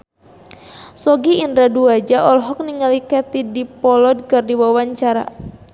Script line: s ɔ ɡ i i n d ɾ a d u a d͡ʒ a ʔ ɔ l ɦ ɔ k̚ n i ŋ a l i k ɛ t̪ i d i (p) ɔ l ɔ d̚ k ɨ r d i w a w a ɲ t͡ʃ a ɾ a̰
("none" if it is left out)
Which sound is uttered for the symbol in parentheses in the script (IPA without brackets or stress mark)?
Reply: p